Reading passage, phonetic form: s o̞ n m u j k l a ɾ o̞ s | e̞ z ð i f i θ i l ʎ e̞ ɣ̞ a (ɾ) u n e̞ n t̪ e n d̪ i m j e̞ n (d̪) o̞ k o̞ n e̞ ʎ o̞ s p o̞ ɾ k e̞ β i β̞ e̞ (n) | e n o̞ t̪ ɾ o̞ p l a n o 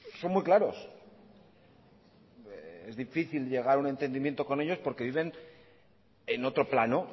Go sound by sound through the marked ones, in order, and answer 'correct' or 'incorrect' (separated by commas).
correct, incorrect, correct